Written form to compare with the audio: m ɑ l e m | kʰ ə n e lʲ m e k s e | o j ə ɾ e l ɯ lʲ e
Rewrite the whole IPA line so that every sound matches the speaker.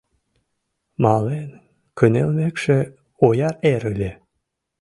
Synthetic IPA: m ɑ l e n | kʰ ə n e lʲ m e k ʃ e | o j ɑ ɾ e ɾ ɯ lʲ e